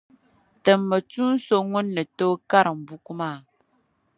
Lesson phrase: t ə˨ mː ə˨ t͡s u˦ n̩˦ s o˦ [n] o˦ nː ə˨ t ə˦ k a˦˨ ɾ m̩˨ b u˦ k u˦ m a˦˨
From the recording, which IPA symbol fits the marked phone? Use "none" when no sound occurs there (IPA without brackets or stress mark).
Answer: ŋ